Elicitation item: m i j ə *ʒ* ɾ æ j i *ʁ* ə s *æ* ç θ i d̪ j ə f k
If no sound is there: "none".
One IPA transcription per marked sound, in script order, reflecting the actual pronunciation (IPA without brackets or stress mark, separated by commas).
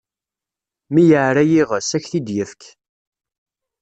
ʕ, ʁ, æ